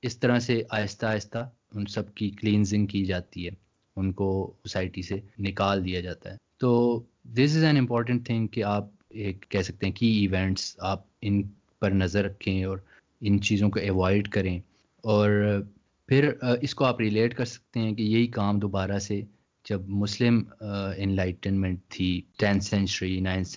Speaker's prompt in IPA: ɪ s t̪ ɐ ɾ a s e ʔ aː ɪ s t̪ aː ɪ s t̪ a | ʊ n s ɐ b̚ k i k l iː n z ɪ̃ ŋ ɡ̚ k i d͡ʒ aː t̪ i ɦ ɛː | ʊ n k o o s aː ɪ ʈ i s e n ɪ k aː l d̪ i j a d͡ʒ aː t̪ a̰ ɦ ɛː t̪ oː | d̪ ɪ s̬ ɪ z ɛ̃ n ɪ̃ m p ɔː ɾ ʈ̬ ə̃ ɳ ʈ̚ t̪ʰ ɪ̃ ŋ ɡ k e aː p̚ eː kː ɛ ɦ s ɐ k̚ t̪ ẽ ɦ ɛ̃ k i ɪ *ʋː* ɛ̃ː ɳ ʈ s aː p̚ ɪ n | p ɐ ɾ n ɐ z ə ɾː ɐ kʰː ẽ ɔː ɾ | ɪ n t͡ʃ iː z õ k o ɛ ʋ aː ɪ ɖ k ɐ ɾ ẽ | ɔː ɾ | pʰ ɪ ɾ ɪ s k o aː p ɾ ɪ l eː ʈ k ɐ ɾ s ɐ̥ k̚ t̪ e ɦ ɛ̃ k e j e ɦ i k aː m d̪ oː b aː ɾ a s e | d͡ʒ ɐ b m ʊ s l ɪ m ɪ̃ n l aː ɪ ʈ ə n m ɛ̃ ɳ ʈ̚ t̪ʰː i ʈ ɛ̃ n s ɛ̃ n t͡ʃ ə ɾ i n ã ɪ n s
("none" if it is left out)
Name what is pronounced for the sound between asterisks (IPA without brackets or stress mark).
ʋ